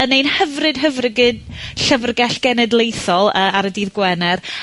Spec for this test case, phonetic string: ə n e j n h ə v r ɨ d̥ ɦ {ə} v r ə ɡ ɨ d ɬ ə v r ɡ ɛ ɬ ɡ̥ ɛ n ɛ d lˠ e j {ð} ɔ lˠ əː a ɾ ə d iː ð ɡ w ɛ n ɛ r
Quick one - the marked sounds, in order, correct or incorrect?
correct, incorrect

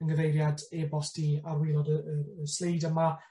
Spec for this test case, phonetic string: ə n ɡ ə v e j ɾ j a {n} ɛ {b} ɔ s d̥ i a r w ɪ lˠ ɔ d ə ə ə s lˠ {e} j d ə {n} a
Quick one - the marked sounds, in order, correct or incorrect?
incorrect, correct, correct, incorrect

